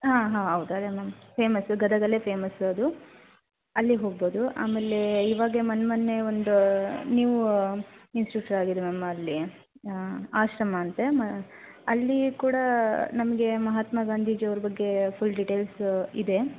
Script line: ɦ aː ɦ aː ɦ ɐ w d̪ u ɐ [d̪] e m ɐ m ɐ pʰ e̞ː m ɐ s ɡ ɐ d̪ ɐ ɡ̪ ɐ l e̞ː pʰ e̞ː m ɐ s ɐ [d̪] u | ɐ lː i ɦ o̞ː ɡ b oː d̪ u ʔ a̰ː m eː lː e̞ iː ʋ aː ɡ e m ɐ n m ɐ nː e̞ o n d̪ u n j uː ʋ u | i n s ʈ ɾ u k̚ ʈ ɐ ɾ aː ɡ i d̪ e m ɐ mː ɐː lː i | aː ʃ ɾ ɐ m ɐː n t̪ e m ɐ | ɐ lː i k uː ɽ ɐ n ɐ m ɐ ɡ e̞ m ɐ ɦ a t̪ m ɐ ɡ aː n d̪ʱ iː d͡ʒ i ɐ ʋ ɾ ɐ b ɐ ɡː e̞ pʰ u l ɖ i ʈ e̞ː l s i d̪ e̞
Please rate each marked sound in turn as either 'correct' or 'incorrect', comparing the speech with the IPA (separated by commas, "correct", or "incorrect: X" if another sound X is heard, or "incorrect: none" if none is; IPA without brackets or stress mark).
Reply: correct, correct